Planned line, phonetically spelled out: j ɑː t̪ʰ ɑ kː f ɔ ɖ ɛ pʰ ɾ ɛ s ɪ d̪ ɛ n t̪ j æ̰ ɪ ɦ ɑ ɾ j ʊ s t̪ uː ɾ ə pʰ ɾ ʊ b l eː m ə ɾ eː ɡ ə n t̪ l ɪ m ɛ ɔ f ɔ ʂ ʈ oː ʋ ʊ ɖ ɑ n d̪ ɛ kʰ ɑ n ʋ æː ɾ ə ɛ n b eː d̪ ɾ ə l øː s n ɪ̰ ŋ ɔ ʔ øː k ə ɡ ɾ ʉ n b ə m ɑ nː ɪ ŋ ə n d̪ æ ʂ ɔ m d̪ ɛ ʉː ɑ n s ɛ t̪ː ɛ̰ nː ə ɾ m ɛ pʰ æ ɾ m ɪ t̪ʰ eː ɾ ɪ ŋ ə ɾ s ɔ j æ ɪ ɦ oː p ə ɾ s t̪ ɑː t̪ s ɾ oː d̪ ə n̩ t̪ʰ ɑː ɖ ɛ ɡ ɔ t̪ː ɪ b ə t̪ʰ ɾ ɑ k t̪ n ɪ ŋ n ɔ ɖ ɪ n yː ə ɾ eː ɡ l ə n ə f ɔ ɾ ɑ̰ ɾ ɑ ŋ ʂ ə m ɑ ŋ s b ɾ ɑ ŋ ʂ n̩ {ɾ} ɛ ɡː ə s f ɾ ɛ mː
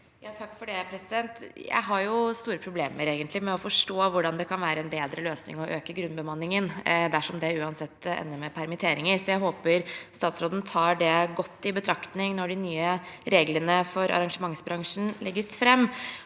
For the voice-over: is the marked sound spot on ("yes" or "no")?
no